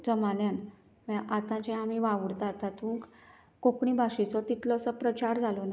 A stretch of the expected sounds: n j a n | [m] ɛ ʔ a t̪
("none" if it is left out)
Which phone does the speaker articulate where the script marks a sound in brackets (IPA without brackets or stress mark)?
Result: m